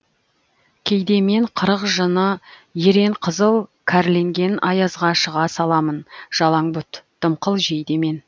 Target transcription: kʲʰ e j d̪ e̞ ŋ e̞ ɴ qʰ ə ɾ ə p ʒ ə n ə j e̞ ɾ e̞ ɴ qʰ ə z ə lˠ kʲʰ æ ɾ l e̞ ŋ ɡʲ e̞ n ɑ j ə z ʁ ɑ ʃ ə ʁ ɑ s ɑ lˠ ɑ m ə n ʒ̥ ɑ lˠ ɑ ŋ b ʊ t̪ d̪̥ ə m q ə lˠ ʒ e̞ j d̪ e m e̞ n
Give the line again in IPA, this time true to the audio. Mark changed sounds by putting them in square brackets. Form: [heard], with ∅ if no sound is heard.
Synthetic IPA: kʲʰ e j d̪ e̞ [m] e̞ ɴ qʰ ə ɾ ə [q] ʒ ə n ə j e̞ ɾ e̞ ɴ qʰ ə z ə lˠ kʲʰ æ ɾ l e̞ ŋ ɡʲ e̞ n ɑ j [ɑ] z ʁ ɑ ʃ ə ʁ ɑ s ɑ lˠ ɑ m ə n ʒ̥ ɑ lˠ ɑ ŋ b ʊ t̪ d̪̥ ə m q ə lˠ ʒ e̞ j d̪ e m e̞ n